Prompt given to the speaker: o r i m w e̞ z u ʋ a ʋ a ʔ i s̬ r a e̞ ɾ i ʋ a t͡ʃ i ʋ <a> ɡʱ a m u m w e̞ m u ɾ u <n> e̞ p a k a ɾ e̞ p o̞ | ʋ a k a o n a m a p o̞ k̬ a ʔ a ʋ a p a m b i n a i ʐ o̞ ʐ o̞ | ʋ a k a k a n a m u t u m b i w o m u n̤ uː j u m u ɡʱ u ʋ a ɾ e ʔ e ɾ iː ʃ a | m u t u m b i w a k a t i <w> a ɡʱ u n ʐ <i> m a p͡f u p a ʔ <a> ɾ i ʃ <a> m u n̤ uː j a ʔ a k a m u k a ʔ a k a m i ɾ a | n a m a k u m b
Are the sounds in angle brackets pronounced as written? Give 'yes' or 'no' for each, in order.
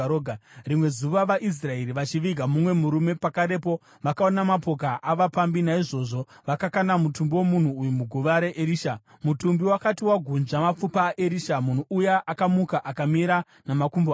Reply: no, no, yes, no, no, yes

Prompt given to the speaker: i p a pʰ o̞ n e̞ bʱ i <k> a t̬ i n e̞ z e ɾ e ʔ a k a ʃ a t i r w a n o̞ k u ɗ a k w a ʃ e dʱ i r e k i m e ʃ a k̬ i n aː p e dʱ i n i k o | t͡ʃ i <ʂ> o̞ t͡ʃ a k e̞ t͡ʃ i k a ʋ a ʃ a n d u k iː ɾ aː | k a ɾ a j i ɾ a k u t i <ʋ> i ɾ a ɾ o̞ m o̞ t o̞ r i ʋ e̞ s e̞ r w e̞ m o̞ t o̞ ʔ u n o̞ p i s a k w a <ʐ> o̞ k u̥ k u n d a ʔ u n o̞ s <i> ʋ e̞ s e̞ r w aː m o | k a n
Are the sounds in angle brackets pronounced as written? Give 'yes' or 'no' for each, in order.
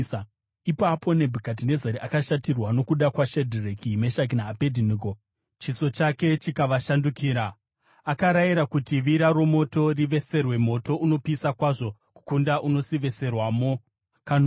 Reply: yes, no, yes, yes, yes

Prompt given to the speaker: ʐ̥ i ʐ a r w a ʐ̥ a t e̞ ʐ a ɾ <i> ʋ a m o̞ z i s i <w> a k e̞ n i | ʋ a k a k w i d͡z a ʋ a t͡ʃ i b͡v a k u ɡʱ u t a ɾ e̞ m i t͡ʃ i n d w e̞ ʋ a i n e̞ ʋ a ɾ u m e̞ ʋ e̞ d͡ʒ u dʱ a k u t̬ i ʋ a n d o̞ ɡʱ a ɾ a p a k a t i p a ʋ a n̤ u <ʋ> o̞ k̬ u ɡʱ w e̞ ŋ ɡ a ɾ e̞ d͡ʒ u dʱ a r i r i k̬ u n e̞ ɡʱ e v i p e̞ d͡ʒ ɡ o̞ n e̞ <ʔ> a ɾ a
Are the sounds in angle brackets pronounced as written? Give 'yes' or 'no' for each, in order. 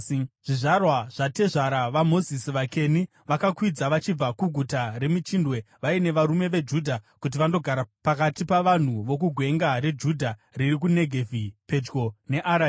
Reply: no, no, yes, yes

